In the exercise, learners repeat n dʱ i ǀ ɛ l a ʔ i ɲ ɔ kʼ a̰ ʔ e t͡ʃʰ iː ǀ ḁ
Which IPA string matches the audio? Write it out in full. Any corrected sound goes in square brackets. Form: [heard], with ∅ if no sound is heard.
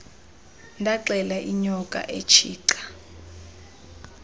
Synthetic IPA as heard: n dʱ [a] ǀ ɛ l a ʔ i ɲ ɔ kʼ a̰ ʔ e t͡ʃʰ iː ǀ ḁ